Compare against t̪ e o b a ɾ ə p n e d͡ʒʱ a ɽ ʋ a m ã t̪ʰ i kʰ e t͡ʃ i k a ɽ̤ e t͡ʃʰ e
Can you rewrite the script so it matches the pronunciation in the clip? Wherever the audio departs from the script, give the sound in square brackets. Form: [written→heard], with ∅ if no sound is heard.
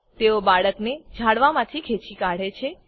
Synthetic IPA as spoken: t̪ e o b a [ɾ→ɭ] ə [p→k] n e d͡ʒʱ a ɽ ʋ a m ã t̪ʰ i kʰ e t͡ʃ i k a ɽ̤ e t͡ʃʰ e